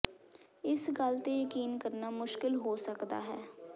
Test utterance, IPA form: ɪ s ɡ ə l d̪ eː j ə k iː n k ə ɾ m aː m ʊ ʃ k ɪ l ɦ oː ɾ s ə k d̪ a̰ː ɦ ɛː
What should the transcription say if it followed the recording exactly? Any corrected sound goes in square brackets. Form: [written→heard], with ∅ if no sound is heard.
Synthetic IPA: ɪ s ɡ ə l [d̪→t̪] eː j ə k iː n k ə ɾ [m→n] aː m ʊ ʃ k ɪ l ɦ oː [ɾ→∅] s ə k d̪ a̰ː ɦ ɛː